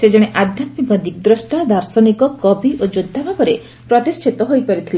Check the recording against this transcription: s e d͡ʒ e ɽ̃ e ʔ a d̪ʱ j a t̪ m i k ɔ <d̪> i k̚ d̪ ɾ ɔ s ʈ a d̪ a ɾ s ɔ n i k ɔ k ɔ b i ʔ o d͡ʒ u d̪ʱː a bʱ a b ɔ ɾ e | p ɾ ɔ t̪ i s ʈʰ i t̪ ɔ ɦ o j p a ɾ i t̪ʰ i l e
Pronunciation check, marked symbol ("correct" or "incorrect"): correct